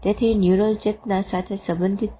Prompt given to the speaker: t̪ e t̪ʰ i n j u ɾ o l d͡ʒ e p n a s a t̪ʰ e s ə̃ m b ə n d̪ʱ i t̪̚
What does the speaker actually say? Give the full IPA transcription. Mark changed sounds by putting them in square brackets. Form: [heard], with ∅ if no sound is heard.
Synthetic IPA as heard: t̪ e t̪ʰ i n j u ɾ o l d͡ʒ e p n a s a t̪ʰ e s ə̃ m b ə n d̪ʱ i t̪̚